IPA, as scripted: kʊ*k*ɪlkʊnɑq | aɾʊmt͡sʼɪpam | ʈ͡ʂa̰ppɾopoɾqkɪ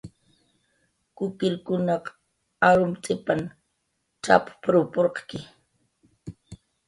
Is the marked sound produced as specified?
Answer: yes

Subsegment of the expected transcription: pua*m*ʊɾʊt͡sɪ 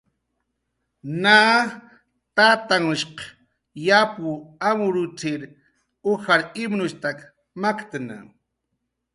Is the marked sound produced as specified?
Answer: yes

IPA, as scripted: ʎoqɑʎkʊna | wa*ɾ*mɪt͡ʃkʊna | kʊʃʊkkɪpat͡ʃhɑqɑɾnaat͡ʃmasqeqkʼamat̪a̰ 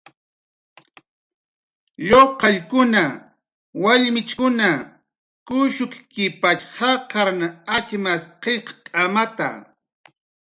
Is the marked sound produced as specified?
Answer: no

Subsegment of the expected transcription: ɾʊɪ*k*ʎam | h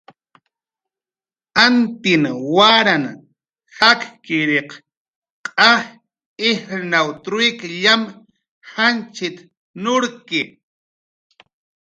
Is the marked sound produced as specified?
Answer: yes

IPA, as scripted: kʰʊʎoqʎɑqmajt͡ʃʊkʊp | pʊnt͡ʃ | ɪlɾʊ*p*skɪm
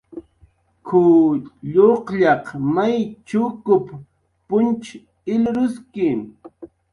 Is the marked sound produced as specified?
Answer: no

